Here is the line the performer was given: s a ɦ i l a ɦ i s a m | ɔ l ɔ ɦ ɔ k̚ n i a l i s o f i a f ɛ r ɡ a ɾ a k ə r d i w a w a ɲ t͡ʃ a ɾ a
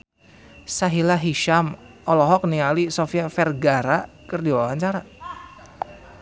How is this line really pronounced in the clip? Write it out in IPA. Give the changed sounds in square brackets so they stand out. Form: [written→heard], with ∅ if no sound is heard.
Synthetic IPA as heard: s a ɦ i l a ɦ i [s→ʃ] a m | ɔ l ɔ ɦ ɔ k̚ n i a l i s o f i a f ɛ r ɡ a ɾ a k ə r d i w a w a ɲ t͡ʃ a ɾ a